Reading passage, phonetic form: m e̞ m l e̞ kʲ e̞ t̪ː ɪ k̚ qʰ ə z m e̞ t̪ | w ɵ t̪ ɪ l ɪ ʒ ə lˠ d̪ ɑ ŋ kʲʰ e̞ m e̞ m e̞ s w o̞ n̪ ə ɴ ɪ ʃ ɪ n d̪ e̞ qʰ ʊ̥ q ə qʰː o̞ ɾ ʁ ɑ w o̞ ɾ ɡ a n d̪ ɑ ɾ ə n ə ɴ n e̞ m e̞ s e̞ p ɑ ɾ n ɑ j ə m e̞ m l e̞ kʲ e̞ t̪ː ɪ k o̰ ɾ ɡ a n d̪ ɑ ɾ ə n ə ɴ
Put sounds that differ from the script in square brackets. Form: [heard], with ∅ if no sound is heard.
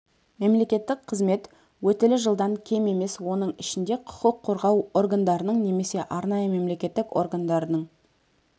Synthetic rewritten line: m e̞ m l e̞ kʲ e̞ t̪ː ɪ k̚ qʰ ə z m e̞ t̪ | w ɵ t̪ ɪ l ɪ ʒ ə lˠ d̪ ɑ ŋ kʲʰ e̞ m e̞ m e̞ s w o̞ n̪ ə ɴ ɪ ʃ ɪ n d̪ e̞ qʰ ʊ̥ q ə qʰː o̞ ɾ ʁ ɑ w o̞ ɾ ɡ a n d̪ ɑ ɾ ə n ə ɴ n e̞ m e̞ s e̞ [ʔ] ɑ ɾ n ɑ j ə m e̞ m l e̞ kʲ e̞ t̪ː ɪ k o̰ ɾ ɡ a n d̪ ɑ ɾ ə n ə ɴ